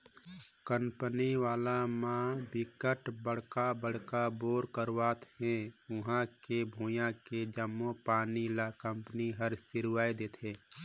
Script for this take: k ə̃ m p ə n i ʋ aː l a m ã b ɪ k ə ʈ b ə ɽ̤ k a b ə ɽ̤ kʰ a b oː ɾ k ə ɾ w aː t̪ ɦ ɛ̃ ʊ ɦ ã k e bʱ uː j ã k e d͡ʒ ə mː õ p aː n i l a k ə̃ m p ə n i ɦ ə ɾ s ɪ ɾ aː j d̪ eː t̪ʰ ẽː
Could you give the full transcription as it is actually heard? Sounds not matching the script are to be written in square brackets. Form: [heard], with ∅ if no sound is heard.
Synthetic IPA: k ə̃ m p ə n i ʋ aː l a m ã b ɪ k ə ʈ b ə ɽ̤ k a b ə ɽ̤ [k] a b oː ɾ k ə ɾ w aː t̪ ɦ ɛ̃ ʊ ɦ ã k e bʱ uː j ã k e d͡ʒ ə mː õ p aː n i l a k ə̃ m p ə n i ɦ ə ɾ s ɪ ɾ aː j d̪ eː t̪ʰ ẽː